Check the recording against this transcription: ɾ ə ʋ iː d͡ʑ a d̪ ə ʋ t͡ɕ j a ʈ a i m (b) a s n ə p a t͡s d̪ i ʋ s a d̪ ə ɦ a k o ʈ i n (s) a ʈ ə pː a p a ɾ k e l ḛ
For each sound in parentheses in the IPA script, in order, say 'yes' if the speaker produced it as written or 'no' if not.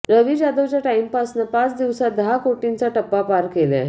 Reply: no, no

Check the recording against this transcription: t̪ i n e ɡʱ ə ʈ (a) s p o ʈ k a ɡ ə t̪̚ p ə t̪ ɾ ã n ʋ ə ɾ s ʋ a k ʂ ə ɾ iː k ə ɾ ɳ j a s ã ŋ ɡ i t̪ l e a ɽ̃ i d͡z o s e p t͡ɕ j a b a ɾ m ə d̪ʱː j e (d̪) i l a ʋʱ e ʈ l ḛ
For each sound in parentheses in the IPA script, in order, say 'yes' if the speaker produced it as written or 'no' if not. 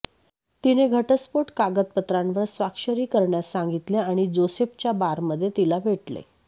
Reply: no, no

